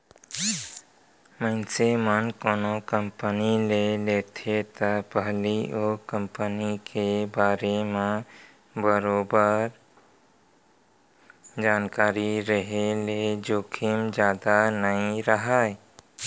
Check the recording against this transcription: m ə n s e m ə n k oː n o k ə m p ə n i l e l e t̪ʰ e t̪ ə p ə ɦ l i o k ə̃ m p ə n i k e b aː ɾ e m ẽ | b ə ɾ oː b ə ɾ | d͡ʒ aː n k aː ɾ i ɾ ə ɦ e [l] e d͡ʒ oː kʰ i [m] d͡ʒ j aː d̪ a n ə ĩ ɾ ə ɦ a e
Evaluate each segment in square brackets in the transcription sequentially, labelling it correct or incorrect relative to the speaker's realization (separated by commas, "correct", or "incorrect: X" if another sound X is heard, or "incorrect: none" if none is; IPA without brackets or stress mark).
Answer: correct, correct